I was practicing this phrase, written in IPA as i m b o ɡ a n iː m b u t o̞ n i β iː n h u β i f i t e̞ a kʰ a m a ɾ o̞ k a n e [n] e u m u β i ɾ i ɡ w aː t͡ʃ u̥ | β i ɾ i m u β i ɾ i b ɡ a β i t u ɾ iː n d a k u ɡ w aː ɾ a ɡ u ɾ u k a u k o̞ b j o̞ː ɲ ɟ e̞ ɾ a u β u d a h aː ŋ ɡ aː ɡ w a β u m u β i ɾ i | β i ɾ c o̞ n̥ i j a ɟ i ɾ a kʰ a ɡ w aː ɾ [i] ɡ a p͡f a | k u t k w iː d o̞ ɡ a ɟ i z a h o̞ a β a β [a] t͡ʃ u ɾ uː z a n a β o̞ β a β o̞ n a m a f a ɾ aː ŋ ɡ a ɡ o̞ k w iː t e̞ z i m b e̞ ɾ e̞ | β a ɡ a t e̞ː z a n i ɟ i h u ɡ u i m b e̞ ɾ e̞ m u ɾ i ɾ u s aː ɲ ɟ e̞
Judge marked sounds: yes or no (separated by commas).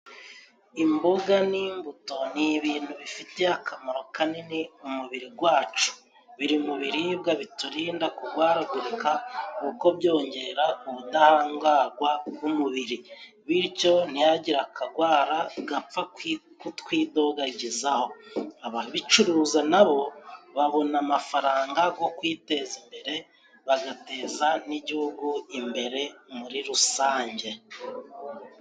yes, no, no